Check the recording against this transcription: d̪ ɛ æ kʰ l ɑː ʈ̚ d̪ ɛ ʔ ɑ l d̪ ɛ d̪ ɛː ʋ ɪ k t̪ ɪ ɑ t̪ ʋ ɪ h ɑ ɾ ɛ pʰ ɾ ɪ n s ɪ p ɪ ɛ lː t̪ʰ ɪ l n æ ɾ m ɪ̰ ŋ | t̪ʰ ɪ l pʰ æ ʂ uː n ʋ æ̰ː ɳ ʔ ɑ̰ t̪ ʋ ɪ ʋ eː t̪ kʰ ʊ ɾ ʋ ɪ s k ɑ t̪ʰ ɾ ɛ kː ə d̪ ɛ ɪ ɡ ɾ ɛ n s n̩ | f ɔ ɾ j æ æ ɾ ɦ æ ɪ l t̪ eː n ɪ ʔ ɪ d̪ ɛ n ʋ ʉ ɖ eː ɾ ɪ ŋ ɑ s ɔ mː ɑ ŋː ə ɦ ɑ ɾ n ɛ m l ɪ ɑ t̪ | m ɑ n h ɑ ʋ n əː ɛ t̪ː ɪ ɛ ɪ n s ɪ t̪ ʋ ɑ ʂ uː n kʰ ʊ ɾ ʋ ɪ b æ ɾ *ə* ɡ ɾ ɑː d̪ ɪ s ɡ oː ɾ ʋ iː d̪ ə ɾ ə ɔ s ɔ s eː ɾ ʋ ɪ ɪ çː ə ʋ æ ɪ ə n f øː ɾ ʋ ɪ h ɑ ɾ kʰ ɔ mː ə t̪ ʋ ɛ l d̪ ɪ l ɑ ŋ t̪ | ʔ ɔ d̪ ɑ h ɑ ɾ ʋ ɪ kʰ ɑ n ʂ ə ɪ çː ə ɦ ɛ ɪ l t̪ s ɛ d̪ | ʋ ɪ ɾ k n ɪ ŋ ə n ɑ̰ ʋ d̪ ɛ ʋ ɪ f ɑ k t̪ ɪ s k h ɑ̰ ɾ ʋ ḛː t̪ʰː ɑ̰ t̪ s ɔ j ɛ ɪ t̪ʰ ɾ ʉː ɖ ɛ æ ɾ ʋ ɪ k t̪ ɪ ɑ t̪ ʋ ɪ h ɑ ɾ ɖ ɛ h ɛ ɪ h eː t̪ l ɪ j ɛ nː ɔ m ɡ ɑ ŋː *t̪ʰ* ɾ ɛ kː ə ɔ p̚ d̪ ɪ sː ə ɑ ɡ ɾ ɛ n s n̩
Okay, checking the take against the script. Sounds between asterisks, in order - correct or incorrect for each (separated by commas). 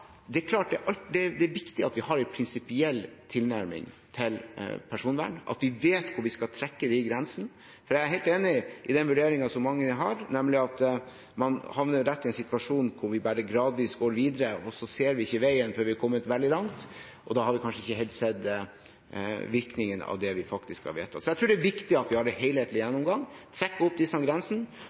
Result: correct, correct